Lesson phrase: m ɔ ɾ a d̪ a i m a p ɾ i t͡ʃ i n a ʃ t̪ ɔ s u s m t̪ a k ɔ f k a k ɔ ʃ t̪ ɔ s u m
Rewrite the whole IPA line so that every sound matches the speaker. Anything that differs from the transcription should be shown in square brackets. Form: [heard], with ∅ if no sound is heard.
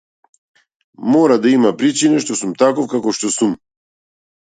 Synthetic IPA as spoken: m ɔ ɾ a d̪ a i m a p ɾ i t͡ʃ i n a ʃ t̪ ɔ s u [∅] m t̪ a k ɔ f k a k ɔ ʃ t̪ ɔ s u m